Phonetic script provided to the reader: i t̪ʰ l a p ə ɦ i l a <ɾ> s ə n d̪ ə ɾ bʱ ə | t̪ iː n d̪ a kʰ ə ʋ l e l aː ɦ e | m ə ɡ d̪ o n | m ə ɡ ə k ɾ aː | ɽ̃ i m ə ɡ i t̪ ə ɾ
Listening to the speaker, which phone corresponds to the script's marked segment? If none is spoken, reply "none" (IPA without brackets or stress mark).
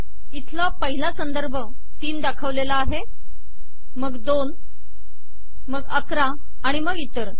none